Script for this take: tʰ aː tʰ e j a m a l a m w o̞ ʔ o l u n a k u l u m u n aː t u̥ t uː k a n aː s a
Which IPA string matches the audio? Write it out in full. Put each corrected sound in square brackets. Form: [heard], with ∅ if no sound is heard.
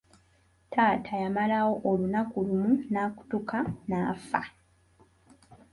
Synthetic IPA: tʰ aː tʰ [a] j a m a l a [∅] w o̞ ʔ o l u n a k u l u m u n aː [k] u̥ t [u] k a n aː [f] a